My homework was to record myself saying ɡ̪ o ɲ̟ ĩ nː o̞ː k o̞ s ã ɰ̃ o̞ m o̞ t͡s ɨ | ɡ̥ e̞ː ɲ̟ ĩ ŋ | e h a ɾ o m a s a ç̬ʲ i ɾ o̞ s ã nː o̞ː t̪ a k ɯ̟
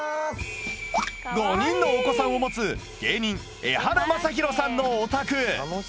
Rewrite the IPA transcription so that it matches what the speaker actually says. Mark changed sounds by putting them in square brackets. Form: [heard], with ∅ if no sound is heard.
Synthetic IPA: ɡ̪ o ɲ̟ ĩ nː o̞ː k o̞ s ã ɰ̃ o̞ m o̞ t͡s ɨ | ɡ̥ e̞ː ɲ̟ ĩ ŋ | e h a ɾ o m a s a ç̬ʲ i ɾ o̞ s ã nː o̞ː t̪ a k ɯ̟